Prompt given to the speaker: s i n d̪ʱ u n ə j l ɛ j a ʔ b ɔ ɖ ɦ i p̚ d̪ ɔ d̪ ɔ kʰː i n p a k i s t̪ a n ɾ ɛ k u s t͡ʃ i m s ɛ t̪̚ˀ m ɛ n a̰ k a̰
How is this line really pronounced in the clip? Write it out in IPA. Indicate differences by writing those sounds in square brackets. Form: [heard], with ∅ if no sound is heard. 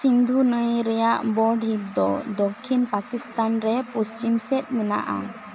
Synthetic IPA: s i n d̪ʱ u n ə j [ɾ] ɛ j a ʔ b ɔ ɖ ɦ i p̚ d̪ ɔ d̪ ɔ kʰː i n p a k i s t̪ a n ɾ ɛ [p] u s t͡ʃ i m s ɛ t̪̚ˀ m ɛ n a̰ [ʔ] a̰